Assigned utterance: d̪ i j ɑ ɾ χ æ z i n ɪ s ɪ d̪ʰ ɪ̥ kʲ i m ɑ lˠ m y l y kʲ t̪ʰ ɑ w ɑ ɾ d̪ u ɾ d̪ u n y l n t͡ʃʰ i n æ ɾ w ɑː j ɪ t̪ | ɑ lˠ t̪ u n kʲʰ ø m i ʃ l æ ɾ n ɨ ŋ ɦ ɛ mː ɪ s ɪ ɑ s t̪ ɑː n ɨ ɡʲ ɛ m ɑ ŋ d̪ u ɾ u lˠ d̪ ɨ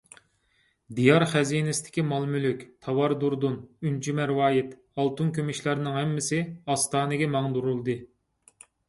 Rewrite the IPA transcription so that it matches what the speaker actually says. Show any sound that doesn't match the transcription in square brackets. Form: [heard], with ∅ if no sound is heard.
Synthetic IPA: d̪ i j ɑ ɾ χ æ z i n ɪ s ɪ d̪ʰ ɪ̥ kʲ i m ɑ lˠ m y l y kʲ t̪ʰ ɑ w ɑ ɾ d̪ u ɾ d̪ u n y [∅] n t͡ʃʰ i [m] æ ɾ w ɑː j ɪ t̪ | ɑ lˠ t̪ u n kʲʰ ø m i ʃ l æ ɾ n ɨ ŋ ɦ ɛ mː ɪ s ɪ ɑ s t̪ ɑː n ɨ ɡʲ ɛ m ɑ ŋ d̪ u ɾ u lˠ d̪ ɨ